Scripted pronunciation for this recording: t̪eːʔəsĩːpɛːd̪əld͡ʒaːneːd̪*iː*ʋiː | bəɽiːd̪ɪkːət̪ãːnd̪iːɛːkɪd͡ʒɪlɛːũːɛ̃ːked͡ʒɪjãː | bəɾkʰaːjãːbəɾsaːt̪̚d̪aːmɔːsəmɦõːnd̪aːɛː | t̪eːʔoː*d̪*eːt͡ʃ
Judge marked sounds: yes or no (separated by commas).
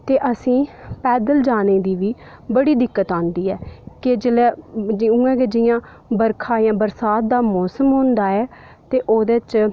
yes, yes